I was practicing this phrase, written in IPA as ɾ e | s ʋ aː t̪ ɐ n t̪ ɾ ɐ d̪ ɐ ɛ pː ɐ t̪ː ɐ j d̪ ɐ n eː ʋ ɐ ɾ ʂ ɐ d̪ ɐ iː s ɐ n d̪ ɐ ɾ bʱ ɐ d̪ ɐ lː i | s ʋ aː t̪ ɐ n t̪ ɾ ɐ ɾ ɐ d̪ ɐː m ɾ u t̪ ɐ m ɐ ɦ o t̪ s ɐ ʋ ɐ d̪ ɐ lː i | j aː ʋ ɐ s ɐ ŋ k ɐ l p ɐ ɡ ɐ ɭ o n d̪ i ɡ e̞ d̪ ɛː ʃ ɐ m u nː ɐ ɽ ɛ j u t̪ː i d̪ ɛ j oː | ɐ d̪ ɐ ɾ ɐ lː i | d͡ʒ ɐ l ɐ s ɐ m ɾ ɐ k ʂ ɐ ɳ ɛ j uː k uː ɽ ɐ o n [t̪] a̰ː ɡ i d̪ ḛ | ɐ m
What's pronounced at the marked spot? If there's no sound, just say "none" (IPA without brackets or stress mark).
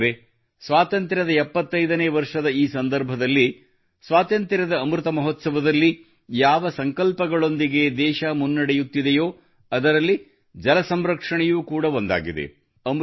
d̪